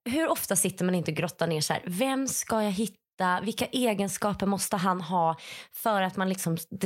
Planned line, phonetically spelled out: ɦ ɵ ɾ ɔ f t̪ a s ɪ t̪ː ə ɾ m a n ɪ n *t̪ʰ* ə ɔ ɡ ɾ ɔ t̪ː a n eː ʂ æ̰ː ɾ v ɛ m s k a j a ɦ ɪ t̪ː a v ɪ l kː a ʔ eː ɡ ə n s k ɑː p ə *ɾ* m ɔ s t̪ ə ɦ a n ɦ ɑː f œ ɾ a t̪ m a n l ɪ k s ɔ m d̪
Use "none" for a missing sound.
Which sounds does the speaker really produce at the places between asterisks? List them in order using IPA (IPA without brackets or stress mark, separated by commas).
t̪, ɾ